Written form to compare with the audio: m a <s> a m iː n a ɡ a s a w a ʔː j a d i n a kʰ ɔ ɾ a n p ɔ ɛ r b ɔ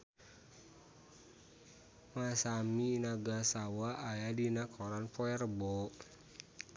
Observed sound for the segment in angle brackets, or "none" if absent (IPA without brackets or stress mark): s